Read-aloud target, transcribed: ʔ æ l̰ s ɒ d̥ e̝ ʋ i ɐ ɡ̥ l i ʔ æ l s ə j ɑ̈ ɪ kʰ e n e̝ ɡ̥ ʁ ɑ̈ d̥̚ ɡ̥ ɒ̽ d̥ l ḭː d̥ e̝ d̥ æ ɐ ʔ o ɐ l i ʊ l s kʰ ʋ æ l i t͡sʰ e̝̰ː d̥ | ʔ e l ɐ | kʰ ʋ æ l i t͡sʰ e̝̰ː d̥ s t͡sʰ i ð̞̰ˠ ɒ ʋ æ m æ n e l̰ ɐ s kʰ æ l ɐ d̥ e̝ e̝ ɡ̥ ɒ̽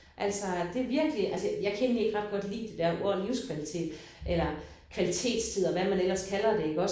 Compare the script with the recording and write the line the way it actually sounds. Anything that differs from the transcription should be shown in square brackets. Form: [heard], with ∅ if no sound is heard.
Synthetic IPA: ʔ æ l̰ s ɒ d̥ e̝ ʋ i ɐ ɡ̥ l i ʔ æ l s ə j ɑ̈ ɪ kʰ e n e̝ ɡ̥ ʁ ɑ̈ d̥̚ ɡ̥ ɒ̽ d̥ l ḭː d̥ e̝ d̥ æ ɐ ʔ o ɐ l i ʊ [∅] s kʰ ʋ æ l i t͡sʰ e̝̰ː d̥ | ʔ e l ɐ | kʰ ʋ æ l i t͡sʰ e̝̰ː d̥ s t͡sʰ i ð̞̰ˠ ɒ ʋ æ m æ n e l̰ ɐ s kʰ æ l ɐ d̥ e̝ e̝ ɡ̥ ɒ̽